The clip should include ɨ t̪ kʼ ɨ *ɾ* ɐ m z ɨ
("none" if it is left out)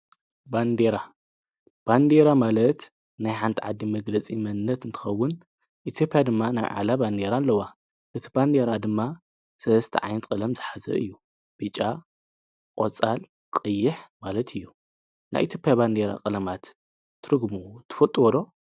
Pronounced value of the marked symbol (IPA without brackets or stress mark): l